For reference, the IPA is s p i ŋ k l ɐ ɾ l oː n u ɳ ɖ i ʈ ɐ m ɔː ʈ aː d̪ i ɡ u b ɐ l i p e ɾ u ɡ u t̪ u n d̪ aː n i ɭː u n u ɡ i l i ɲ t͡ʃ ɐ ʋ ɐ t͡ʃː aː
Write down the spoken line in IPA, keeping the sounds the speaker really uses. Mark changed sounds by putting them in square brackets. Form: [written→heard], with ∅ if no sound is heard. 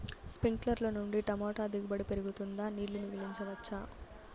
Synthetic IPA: s p i ŋ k l ɐ ɾ l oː n u ɳ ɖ i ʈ ɐ m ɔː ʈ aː d̪ i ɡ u b ɐ [l→ɽ] i p e ɾ u ɡ u t̪ u n d̪ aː n [i→iː] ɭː u n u ɡ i l i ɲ t͡ʃ ɐ ʋ ɐ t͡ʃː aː